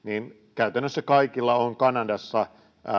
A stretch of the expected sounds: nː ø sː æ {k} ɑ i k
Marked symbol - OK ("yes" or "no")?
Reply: yes